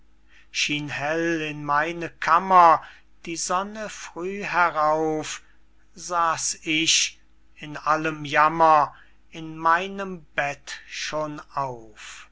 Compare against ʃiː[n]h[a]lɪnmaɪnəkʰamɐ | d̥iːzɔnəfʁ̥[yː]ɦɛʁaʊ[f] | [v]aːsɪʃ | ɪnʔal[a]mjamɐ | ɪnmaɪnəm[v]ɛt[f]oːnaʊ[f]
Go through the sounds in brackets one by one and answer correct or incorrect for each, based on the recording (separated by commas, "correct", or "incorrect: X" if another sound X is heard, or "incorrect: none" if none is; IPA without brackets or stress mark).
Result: correct, incorrect: ɛ, correct, correct, incorrect: z, incorrect: ə, incorrect: b, incorrect: ʃ, correct